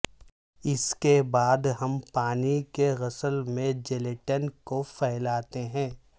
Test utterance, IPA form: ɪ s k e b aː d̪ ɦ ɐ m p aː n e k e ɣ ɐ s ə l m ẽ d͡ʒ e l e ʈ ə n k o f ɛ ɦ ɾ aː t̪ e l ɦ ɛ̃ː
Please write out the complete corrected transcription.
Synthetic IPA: ɪ s k e b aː d̪ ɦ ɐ m p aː n i k e ɣ ɐ s ə l m ẽ d͡ʒ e l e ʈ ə n k o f ɛ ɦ l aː t̪ e ɦ ɛ̃ː